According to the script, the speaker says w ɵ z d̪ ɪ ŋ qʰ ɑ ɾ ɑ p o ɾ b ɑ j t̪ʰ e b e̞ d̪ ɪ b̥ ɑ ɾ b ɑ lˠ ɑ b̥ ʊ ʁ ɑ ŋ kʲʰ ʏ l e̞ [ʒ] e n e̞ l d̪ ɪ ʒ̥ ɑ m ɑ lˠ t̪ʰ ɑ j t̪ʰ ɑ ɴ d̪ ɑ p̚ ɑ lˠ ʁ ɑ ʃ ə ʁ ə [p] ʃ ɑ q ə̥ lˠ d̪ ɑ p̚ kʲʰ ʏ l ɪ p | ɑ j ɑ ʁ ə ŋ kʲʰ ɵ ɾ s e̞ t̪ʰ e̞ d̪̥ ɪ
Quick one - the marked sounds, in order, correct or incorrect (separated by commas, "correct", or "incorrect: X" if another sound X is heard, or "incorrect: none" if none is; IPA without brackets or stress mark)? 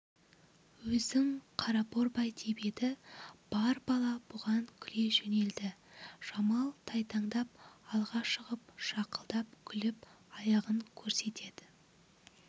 correct, correct